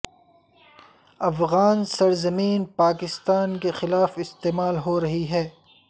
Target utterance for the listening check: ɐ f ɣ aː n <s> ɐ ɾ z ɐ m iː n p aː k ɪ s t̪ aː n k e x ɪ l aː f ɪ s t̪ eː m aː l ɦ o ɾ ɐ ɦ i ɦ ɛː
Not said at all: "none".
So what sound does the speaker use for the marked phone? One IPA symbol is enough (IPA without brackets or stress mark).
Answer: s